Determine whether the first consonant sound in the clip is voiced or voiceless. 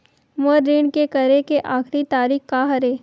voiced